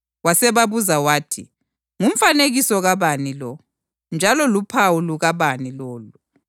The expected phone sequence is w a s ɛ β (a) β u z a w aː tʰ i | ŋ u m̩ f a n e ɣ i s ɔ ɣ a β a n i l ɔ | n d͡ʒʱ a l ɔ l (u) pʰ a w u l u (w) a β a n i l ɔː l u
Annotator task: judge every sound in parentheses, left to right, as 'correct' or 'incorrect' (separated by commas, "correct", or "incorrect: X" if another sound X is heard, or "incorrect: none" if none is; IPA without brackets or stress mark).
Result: correct, correct, incorrect: ɣ